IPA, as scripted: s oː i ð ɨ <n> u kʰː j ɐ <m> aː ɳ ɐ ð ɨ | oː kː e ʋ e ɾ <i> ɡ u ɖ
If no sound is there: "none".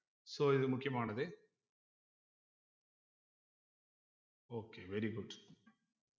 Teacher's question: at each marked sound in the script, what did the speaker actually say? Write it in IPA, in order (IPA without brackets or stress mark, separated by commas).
m, m, i